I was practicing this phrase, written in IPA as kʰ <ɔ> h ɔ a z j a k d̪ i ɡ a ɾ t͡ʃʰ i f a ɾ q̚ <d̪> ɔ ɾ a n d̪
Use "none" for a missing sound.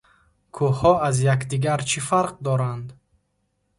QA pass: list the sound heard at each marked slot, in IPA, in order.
u, d̪

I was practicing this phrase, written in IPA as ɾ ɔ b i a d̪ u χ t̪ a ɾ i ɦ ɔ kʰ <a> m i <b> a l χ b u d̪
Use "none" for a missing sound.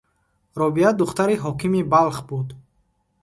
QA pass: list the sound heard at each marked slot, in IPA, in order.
i, b

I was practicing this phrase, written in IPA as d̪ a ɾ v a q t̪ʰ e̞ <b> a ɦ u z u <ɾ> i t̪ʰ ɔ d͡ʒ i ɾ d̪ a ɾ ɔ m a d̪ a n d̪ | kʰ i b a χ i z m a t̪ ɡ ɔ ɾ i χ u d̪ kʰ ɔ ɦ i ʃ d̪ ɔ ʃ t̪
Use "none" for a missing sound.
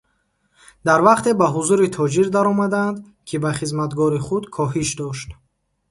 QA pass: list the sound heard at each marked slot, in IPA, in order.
b, ɾ

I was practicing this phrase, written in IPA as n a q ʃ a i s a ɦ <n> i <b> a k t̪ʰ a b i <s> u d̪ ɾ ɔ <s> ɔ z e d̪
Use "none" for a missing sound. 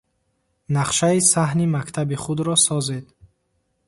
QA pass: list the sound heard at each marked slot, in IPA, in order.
n, m, χ, s

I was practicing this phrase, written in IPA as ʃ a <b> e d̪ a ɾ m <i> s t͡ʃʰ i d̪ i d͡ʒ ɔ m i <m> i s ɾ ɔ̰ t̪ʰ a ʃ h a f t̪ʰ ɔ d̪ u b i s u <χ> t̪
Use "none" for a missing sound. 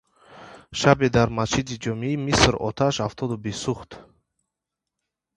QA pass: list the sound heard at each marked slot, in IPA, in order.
b, a, m, χ

